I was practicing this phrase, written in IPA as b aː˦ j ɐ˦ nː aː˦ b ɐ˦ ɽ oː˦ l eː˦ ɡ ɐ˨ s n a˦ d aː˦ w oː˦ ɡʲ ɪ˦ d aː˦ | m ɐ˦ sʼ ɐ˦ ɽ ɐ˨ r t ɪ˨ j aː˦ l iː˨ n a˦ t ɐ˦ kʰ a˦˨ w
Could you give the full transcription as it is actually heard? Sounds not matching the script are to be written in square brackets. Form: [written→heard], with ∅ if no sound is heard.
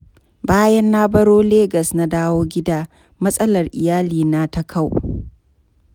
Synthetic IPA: b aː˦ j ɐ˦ nː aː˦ b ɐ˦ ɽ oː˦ l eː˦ ɡ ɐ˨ s n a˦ d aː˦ w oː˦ ɡʲ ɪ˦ d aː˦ | m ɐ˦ sʼ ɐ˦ [ɽ→l] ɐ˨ r [t→ʔ] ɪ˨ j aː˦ l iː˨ n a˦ t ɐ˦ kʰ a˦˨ w